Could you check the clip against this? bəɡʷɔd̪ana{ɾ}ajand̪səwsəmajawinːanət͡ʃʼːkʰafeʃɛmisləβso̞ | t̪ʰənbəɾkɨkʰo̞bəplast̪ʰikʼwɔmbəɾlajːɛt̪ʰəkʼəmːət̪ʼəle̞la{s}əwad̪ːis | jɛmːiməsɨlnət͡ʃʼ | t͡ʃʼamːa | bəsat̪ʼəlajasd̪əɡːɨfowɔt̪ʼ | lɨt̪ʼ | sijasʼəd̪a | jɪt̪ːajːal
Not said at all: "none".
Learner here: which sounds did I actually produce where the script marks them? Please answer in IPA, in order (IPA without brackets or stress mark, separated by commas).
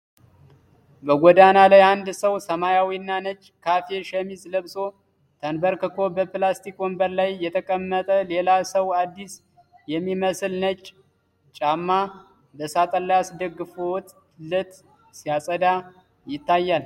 l, s